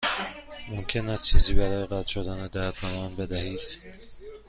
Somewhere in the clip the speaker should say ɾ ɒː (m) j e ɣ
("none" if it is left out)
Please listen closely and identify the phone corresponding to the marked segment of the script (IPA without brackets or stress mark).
none